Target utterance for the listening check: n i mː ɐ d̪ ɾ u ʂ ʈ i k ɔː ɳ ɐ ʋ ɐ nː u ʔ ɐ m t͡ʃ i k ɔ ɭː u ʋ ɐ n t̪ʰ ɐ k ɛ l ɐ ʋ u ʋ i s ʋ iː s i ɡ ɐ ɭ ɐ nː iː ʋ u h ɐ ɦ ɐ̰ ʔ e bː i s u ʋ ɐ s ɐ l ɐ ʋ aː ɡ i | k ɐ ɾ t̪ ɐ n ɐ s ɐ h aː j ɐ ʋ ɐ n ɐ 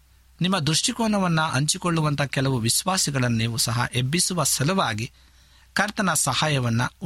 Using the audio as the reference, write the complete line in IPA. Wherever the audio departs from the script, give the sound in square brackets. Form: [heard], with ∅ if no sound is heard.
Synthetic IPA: n i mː ɐ d̪ ɾ u ʂ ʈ i k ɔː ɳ ɐ ʋ ɐ nː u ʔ ɐ [ɲ] t͡ʃ i k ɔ ɭː u ʋ ɐ n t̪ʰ ɐ k ɛ l ɐ ʋ u ʋ i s ʋ [aː] s i ɡ ɐ ɭ ɐ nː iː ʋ u [s] ɐ ɦ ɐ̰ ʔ e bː i s u ʋ ɐ s ɐ l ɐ ʋ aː ɡ i | k ɐ ɾ t̪ ɐ n ɐ s ɐ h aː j ɐ ʋ ɐ [nː] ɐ